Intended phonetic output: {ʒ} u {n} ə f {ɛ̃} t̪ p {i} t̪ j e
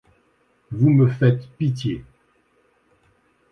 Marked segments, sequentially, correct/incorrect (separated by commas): incorrect, incorrect, incorrect, correct